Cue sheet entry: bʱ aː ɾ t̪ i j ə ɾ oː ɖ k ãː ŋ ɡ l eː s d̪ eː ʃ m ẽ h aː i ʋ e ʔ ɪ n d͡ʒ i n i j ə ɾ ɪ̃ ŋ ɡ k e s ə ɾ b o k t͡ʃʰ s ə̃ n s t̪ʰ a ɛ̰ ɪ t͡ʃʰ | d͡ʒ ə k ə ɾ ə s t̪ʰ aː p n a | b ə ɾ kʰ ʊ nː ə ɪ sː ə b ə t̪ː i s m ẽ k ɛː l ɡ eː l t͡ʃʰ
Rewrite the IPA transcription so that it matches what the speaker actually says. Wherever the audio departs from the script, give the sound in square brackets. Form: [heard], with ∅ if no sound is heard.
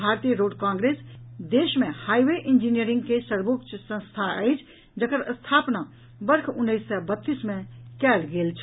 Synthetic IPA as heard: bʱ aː ɾ t̪ i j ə ɾ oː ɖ k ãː ŋ ɡ [ɾ] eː s d̪ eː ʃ m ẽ h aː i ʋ e ʔ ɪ n d͡ʒ i n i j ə ɾ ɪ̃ ŋ ɡ k e s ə ɾ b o k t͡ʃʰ s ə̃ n s t̪ʰ a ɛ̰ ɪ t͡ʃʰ | d͡ʒ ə k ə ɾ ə s t̪ʰ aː p n a | b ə ɾ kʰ ʊ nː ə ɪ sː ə b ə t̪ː i s m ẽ k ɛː l ɡ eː l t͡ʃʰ